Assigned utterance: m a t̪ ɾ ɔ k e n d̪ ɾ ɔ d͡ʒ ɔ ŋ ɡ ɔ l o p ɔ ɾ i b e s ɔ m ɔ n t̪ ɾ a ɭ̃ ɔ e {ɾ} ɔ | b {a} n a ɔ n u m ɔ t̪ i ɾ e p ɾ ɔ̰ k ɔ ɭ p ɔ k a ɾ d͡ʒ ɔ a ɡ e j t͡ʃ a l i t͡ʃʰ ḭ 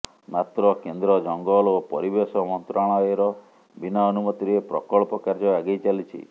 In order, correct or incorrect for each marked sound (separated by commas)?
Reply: correct, incorrect